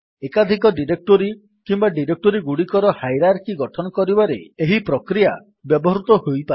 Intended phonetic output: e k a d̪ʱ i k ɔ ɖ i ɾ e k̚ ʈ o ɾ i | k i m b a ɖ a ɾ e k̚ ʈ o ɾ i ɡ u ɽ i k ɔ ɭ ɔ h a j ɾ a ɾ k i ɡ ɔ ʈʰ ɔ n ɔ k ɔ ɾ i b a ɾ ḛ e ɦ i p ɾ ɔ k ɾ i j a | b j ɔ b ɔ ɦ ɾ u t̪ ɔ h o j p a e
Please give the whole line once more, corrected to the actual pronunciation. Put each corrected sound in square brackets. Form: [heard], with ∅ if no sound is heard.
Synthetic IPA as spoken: e k a d̪ʱ i k ɔ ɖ i ɾ e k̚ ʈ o ɾ i | k i m b a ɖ [i] ɾ e k̚ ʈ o ɾ i ɡ u ɽ i k ɔ [ɾ] ɔ h a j ɾ a ɾ k i ɡ ɔ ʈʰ ɔ n ɔ k ɔ ɾ i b a ɾ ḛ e ɦ i p ɾ ɔ k ɾ i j a | b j ɔ b ɔ ɦ ɾ u t̪ ɔ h o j p a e

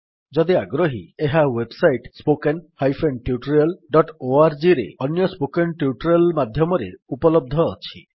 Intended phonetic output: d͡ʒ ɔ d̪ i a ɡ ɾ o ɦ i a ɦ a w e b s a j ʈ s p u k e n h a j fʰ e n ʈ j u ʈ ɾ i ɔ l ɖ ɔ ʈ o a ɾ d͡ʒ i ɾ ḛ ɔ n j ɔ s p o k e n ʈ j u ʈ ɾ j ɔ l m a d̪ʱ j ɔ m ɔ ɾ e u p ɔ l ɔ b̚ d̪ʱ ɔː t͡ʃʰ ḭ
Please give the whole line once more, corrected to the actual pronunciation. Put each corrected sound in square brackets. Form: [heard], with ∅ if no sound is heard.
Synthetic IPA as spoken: d͡ʒ ɔ d̪ i a ɡ ɾ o ɦ i [e] ɦ a w e b s a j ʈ s p [o] k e n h a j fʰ e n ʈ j u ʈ ɾ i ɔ l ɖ ɔ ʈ o a ɾ d͡ʒ i ɾ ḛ ɔ n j ɔ s p o k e n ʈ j u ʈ ɾ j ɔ l m a d̪ʱ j ɔ m ɔ ɾ e u p ɔ l ɔ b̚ d̪ʱ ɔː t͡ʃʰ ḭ

